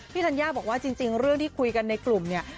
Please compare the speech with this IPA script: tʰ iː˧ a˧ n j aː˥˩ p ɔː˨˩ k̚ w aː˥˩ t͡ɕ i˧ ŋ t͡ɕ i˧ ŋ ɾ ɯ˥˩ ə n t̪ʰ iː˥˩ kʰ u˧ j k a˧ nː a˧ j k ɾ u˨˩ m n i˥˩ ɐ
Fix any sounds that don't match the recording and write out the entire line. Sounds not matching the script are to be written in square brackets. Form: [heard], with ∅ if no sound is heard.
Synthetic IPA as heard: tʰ [iː˥˩] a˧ n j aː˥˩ [b] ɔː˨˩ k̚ w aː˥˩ t͡ɕ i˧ ŋ t͡ɕ i˧ ŋ ɾ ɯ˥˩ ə [ŋ] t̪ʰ iː˥˩ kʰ u˧ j k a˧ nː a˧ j k [l] u˨˩ m n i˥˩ ɐ

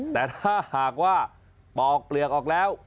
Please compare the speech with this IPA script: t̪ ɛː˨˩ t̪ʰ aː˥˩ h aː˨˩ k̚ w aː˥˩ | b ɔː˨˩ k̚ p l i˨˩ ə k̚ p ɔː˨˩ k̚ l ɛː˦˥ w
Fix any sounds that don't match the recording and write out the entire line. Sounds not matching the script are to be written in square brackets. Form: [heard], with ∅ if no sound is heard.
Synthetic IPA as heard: t̪ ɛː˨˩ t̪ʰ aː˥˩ h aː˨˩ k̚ w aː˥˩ | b ɔː˨˩ k̚ p l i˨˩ ə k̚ [ʔ] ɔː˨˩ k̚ l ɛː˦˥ w

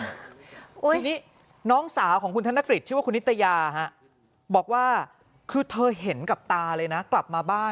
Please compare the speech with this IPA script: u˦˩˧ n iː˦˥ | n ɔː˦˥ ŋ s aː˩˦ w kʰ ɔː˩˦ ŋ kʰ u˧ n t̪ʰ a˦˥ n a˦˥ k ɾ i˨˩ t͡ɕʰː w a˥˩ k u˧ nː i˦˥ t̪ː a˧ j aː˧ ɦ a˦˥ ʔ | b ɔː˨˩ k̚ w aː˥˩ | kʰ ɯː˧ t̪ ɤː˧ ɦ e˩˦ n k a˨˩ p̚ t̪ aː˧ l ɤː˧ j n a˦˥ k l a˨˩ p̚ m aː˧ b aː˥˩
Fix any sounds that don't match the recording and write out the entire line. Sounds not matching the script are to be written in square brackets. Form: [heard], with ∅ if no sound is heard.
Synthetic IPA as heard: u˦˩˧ n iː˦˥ | n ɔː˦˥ ŋ s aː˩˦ w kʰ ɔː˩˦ ŋ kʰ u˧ n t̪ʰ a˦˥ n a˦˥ k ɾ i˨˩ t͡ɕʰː w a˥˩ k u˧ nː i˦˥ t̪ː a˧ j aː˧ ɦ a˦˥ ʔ | b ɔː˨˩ k̚ w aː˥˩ | kʰ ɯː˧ [t̪ʰ] ɤː˧ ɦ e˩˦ n k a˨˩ p̚ t̪ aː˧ l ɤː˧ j n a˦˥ k l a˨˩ p̚ m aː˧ b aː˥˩

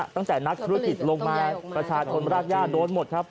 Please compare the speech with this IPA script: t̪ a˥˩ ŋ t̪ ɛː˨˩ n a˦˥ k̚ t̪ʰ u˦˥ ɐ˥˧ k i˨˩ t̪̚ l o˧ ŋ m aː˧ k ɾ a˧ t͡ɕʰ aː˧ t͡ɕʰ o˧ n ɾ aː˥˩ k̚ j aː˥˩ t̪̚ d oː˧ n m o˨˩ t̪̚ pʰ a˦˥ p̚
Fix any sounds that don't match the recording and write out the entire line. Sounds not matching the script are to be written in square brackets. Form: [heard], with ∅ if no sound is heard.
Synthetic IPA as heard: t̪ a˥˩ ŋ t̪ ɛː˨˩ n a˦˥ k̚ t̪ʰ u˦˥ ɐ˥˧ k i˨˩ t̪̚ l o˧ ŋ m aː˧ [p] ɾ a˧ t͡ɕʰ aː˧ t͡ɕʰ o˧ n ɾ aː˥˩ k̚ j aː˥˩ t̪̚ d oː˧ n m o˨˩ t̪̚ [kʰ] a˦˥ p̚

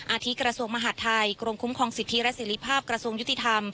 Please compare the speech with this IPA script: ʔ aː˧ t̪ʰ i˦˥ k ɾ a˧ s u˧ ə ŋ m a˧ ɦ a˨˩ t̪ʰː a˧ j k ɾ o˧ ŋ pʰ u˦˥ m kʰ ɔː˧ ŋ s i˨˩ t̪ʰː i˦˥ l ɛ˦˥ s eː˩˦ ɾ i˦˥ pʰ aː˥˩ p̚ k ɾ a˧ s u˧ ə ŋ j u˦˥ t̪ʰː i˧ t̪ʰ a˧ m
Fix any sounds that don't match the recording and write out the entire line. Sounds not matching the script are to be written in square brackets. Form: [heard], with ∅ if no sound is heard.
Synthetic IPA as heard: ʔ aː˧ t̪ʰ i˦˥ k ɾ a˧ s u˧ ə ŋ m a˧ ɦ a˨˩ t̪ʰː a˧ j k ɾ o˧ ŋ [kʰ] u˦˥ m kʰ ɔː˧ ŋ s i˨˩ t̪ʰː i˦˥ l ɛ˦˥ s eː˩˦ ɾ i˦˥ pʰ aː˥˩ p̚ k ɾ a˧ s u˧ ə ŋ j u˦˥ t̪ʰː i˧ t̪ʰ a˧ m

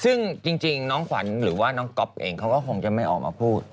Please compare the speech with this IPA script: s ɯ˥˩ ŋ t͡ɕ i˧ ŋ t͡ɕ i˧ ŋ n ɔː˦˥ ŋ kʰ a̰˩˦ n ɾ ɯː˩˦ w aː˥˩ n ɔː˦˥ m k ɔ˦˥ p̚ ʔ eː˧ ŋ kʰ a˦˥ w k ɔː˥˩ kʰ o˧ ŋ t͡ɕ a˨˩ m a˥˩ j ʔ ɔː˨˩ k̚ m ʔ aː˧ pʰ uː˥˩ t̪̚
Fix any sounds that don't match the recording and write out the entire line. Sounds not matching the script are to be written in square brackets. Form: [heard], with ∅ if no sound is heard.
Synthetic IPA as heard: s ɯ˥˩ ŋ t͡ɕ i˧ ŋ t͡ɕ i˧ ŋ n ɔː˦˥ ŋ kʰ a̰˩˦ n ɾ ɯː˩˦ w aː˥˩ n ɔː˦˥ [ŋ] k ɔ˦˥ p̚ ʔ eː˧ ŋ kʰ a˦˥ w k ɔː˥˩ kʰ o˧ ŋ t͡ɕ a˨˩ m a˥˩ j ʔ ɔː˨˩ k̚ m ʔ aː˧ pʰ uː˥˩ t̪̚

